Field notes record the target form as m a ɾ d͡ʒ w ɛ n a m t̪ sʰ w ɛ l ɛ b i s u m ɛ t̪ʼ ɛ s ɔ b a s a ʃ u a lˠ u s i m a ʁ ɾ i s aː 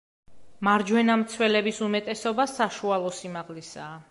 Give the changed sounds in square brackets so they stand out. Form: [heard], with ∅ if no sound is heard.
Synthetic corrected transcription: m a ɾ d͡ʒ w ɛ n a m t̪ sʰ w ɛ l ɛ b i s u m ɛ t̪ʼ ɛ s ɔ b a s a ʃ u a lˠ [ɔ] s i m a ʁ [l] i s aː

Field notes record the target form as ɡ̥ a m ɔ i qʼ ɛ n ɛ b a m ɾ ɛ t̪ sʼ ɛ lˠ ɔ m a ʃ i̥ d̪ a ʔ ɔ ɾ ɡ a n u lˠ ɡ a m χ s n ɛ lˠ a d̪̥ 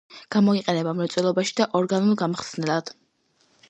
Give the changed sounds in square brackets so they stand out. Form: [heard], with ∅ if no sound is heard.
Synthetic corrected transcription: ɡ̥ a m ɔ i qʼ ɛ n ɛ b a m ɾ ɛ t̪ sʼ ɛ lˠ ɔ [b] a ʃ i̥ d̪ a ʔ ɔ ɾ ɡ a n u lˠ ɡ a m χ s n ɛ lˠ a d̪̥

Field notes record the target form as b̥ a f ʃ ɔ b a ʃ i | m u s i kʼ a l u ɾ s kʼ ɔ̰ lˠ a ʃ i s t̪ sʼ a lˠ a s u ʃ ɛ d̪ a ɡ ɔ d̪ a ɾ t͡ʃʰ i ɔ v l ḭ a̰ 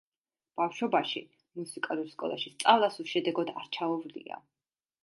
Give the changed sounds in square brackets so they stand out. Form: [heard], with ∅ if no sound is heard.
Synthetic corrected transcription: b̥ a f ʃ ɔ b a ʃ i | m u s i kʼ a l u ɾ s kʼ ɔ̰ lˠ a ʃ i s t̪ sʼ a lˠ a s u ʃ ɛ d̪ [ɛ] ɡ ɔ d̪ a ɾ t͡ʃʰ [a] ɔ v l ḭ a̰

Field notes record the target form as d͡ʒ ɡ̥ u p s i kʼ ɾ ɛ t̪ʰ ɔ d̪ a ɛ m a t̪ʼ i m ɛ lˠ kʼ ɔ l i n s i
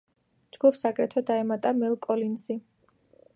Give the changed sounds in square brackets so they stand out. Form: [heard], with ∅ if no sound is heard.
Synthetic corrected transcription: d͡ʒ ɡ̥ u p s [a] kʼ ɾ ɛ t̪ʰ ɔ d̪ a ɛ m a t̪ʼ [a] m ɛ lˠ kʼ ɔ l i n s i

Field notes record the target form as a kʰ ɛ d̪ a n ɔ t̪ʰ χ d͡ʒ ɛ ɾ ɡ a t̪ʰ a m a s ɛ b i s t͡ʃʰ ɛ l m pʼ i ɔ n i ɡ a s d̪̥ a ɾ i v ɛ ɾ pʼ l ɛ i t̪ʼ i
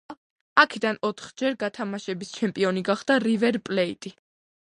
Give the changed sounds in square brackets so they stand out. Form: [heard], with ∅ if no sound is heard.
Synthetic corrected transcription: a kʰ ɛ d̪ a n ɔ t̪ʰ χ d͡ʒ ɛ ɾ ɡ a t̪ʰ a m a [ʃ] ɛ b i s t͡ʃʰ ɛ [∅] m pʼ i ɔ n i ɡ a [χ] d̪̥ a ɾ i v ɛ ɾ pʼ l ɛ i t̪ʼ i

